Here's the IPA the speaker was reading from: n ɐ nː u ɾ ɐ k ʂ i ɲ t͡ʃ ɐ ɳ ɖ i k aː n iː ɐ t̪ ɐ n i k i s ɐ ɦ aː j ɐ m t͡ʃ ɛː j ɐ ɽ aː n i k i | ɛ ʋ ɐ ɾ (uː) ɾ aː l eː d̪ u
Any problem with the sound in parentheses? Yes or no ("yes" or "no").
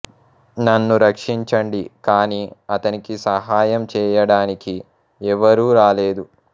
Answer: no